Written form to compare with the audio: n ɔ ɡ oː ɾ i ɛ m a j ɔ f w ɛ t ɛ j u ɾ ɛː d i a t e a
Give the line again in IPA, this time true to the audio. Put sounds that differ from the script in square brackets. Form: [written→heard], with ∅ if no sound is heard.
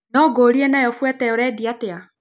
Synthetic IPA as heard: n ɔ ɡ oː ɾ i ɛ [m→n] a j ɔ f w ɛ t ɛ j [u→ɔ] ɾ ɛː d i a t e a